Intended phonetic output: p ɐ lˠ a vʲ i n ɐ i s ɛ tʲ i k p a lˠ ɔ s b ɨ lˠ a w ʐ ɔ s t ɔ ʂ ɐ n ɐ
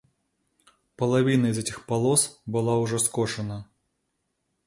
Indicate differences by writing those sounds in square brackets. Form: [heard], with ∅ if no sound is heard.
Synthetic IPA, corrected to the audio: p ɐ lˠ a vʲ i n ɐ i [z] ɛ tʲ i [x] p a lˠ ɔ s b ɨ lˠ a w ʐ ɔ s [k] ɔ ʂ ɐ n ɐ